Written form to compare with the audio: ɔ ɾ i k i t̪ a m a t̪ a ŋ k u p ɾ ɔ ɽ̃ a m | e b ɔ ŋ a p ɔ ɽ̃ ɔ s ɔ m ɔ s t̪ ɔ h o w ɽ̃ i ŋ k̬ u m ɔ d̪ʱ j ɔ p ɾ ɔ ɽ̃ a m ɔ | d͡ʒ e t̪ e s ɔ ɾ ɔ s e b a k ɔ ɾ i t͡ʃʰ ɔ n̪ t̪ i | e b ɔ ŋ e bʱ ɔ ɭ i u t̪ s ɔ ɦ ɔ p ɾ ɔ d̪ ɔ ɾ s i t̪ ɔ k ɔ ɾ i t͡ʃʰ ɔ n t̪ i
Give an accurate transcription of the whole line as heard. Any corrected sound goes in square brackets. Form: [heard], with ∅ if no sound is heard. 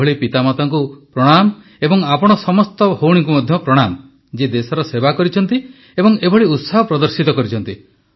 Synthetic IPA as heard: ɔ [ɭ] i [p] i t̪ a m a t̪ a ŋ k u p ɾ ɔ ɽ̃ a m | e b ɔ ŋ a p ɔ ɽ̃ ɔ s ɔ m ɔ s t̪ ɔ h o w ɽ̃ i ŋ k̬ u m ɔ d̪ʱ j ɔ p ɾ ɔ ɽ̃ a m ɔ | d͡ʒ e [d̪] e s ɔ ɾ ɔ s e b a k ɔ ɾ i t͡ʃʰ ɔ n̪ t̪ i | e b ɔ ŋ e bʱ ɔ ɭ i u t̪ s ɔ ɦ ɔ p ɾ ɔ d̪ ɔ ɾ s i t̪ ɔ k ɔ ɾ i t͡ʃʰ ɔ n t̪ i